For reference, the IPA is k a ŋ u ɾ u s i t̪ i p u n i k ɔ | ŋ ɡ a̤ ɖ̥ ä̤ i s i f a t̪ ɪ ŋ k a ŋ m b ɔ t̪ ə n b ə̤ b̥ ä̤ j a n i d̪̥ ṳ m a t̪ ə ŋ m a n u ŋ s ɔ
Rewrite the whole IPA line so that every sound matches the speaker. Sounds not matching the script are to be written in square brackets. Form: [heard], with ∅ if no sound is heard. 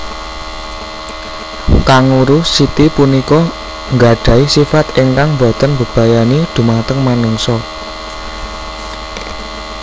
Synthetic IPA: k a ŋ u ɾ u s i t̪ i p u n i k ɔ | ŋ ɡ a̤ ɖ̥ ä̤ i s i f a t̪ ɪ ŋ k a ŋ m b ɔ t̪ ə n b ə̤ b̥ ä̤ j a n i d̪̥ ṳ m a t̪ ə ŋ m a n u ŋ s ɔ